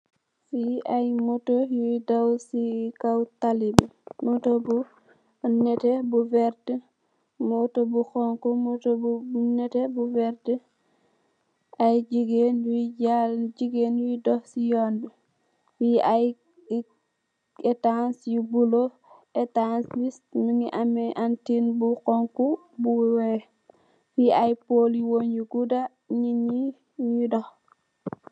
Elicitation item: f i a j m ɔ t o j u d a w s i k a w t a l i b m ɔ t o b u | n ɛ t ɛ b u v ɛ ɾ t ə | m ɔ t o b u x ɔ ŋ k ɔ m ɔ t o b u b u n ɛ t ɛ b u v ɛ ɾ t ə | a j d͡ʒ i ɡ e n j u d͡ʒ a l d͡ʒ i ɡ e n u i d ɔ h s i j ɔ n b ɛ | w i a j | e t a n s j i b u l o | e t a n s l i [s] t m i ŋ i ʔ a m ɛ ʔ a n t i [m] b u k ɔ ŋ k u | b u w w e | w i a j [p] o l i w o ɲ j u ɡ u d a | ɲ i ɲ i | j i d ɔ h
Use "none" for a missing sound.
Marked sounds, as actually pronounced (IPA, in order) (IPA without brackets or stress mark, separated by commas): s, n, p